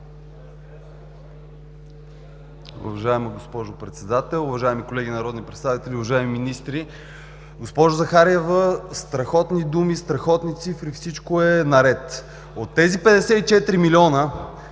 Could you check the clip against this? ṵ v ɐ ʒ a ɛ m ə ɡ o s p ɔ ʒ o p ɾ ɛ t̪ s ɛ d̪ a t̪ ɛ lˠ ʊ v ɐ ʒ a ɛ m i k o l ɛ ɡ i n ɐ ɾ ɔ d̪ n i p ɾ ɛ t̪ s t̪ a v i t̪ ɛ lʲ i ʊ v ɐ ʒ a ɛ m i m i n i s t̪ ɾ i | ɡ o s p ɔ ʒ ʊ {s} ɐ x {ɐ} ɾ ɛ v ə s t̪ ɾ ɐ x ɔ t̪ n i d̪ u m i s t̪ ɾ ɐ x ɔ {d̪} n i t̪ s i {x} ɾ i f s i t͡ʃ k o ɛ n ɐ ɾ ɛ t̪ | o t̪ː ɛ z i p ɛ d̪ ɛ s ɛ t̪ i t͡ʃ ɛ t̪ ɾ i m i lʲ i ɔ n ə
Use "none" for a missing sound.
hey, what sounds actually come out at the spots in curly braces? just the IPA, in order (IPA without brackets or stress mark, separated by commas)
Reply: z, a, t̪, f